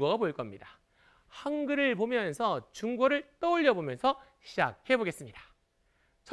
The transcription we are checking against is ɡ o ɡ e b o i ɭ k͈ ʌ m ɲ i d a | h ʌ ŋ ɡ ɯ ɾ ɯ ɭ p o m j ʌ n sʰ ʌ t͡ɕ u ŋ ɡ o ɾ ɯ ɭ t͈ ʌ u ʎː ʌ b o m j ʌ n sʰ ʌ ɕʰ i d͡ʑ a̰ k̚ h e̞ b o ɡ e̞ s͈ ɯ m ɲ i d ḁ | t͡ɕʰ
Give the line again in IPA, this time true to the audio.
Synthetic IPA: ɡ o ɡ a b o i ɭ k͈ ʌ m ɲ i d a | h a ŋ ɡ ɯ ɾ ɯ ɭ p o m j ʌ n sʰ ʌ t͡ɕ u ŋ ɡ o ɾ ɯ ɭ t͈ ʌ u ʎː ʌ b o m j ʌ n sʰ ʌ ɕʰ i d͡ʑ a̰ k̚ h e̞ b o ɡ e̞ s͈ ɯ m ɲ i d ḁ | t͡ɕʰ

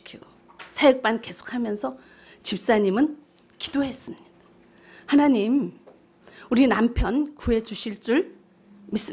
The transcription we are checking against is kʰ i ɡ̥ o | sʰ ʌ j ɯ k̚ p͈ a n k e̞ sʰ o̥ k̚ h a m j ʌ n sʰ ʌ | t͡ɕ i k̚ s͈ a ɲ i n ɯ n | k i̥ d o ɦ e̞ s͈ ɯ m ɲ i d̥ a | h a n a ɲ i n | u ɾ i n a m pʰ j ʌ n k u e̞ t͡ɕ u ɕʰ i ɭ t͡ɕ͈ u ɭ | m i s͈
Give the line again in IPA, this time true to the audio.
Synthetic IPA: kʰ i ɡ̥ o | sʰ a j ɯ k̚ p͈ a n k e̞ sʰ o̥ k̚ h a m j ʌ n sʰ ʌ | t͡ɕ i p̚ s͈ a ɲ i m ɯ n | k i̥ d o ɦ e̞ s͈ ɯ m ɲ i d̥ a | h a n a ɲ i m | u ɾ i n a m pʰ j ʌ n k u e̞ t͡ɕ u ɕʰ i ɭ t͡ɕ͈ u ɭ | m i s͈

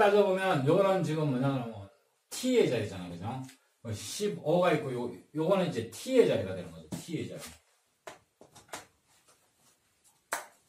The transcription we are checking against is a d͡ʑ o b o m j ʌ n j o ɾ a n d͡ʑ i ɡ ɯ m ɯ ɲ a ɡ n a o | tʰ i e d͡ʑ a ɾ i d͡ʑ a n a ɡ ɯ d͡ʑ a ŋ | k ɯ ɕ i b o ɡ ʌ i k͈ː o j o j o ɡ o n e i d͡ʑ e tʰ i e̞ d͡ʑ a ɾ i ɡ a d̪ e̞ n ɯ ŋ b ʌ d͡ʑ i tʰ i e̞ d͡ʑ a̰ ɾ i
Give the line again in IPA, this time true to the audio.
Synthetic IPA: a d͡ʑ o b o m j ʌ n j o ɾ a n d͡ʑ i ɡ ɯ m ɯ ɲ a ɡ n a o | tʰ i e d͡ʑ a ɾ i d͡ʑ a n a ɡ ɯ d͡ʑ a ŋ | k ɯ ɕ i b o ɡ a i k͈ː o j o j o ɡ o n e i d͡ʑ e tʰ i e̞ d͡ʑ a ɾ i ɡ a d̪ e̞ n ɯ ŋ ɡ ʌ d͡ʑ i tʰ i e̞ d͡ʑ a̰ ɾ i

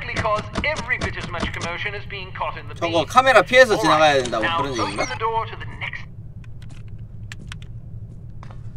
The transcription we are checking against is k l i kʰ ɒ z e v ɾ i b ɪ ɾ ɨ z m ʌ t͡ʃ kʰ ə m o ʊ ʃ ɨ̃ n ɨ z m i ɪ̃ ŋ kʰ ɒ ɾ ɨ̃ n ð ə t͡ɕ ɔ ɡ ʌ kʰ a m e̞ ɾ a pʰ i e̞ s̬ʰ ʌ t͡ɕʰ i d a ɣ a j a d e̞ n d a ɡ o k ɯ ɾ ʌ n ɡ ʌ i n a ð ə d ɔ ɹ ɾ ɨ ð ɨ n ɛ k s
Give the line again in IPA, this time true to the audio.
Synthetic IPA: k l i kʰ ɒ z ɛ v ɹ i b ɪ ɾ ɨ z m ʌ t͡ʃ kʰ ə m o ʊ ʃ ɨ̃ n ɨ z b i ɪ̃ ŋ kʰ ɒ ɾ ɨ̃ n ð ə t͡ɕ ʌ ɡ ʌ kʰ a m e̞ ɾ a pʰ i e̞ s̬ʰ ʌ t͡ɕ i n a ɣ a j a d e̞ n d a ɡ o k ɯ ɾ ʌ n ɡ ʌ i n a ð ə d ɔ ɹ ɾ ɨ ð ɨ n ɛ k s

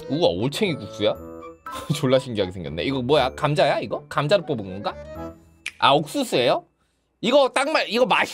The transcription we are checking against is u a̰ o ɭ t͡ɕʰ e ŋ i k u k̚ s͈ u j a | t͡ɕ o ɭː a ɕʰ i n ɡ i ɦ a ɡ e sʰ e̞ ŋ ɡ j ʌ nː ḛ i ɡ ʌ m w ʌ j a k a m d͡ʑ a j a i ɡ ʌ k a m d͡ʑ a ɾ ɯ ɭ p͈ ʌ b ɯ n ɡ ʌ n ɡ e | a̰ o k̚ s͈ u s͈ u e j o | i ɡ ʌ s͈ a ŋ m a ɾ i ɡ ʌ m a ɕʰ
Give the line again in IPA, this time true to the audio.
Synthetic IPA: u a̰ o ɭ t͡ɕʰ e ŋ i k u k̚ s͈ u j a | t͡ɕ o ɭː a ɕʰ i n ɡ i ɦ a ɡ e sʰ e̞ ŋ ɡ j ʌ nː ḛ i ɡ ʌ m w ʌ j a k a m d͡ʑ a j a i ɡ ʌ k a m d͡ʑ a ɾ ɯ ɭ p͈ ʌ b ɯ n ɡ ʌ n ɡ a | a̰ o k̚ s͈ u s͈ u e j o | i ɡ ʌ t͈ a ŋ m a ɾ i ɡ ʌ m a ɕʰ

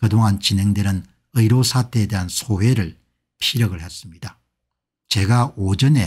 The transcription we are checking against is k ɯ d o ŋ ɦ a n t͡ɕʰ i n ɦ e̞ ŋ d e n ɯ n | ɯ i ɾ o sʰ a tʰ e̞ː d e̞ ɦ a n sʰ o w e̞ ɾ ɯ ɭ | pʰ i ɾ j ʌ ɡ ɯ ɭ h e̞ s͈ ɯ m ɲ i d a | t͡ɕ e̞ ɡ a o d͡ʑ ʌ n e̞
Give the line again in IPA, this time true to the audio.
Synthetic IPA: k ɯ d o ŋ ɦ a n t͡ɕ i n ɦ e̞ ŋ d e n ɯ n | ɯ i ɾ o sʰ a tʰ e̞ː d e̞ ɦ a n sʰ o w e̞ ɾ ɯ ɭ | pʰ i ɾ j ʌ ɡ ɯ ɭ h e̞ s͈ ɯ m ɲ i d a | t͡ɕ e̞ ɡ a o d͡ʑ ʌ n e̞

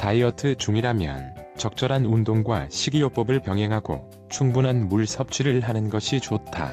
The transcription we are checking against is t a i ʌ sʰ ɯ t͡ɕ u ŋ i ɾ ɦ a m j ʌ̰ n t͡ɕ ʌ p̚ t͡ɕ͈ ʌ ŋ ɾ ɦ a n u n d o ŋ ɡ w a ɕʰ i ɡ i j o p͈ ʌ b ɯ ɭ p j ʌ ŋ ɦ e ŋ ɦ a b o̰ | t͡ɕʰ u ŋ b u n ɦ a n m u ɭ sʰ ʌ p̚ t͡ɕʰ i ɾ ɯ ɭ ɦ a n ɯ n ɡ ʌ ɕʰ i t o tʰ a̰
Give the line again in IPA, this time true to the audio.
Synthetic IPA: t a i ʌ tʰ ɯ t͡ɕ u ŋ i ɾ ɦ a m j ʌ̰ n t͡ɕ ʌ k̚ t͡ɕ͈ ʌ ɾ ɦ a n u n d o ŋ ɡ w a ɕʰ i ɡ i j o p͈ ʌ b ɯ ɭ p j ʌ ŋ ɦ e ŋ ɦ a ɡ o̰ | t͡ɕʰ u ŋ b u n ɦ a n m u ɭ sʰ ʌ p̚ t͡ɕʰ i ɾ ɯ ɭ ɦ a n ɯ n ɡ ʌ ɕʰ i t͡ɕ o tʰ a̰

